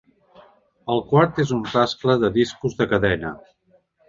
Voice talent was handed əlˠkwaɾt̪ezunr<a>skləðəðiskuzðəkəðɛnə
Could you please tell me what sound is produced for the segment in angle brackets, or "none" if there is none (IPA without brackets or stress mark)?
a